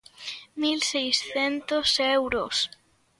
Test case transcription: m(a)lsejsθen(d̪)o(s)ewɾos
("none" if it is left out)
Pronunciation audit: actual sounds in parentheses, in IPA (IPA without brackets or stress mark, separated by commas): i, t̪, s